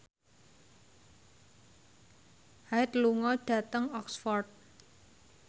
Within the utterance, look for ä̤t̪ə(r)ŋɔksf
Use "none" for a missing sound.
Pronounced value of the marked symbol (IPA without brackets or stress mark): none